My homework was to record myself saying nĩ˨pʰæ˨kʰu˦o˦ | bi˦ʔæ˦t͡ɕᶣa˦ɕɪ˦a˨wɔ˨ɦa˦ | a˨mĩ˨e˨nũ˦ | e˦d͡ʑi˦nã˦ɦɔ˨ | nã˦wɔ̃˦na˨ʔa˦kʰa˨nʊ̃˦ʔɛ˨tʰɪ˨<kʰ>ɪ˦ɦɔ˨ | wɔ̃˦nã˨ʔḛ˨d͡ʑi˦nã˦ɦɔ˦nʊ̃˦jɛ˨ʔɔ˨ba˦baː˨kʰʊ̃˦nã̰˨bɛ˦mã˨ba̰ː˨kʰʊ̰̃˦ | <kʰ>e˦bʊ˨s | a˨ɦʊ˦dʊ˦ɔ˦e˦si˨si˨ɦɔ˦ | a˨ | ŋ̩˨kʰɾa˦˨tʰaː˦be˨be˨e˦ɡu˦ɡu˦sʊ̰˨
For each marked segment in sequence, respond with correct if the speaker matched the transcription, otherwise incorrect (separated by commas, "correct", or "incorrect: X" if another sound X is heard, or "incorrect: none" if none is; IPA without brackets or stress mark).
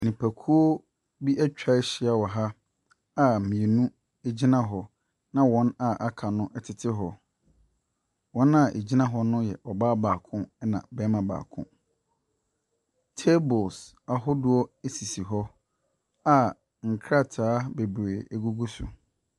incorrect: tʰ, incorrect: tʰ